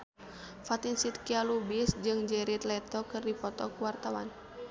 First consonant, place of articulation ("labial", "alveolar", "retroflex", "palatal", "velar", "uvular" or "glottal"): labial